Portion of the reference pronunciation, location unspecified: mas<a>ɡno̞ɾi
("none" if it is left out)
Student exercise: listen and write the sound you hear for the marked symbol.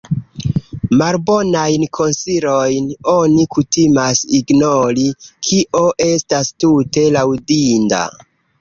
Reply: i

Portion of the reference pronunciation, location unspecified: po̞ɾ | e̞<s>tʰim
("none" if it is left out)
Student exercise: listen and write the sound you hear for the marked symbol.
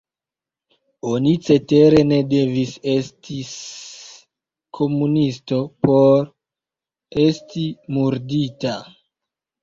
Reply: s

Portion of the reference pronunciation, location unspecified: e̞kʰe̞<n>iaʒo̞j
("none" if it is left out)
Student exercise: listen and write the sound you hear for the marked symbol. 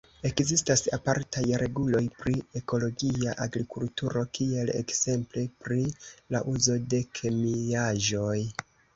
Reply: m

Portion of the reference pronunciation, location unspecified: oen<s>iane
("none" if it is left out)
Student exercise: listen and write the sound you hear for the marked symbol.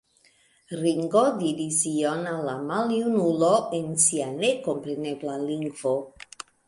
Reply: s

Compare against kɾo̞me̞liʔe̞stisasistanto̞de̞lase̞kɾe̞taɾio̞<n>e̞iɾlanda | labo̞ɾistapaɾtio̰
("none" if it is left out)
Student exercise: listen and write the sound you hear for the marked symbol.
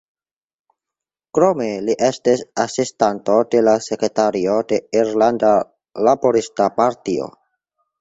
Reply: d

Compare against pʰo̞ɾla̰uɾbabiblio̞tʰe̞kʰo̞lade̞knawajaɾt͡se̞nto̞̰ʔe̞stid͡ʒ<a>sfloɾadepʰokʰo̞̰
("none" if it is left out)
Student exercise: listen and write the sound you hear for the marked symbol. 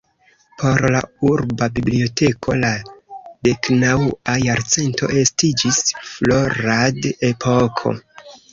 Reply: i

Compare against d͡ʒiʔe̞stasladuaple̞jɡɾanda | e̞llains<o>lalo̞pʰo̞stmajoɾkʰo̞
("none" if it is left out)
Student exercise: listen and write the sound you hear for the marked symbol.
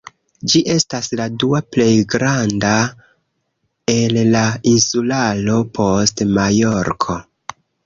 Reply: u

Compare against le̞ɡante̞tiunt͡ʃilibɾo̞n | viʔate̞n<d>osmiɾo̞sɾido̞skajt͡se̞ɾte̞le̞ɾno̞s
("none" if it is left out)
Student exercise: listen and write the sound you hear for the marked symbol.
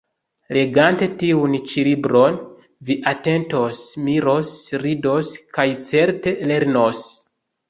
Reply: t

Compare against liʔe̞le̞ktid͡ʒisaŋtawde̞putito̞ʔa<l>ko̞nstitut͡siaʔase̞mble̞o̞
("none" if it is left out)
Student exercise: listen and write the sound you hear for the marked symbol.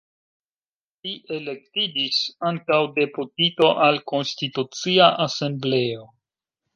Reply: l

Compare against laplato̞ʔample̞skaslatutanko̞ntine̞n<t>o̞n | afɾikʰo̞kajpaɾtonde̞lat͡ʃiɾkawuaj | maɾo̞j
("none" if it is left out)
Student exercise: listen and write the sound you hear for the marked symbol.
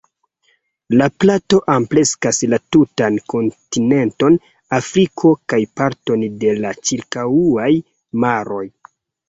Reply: t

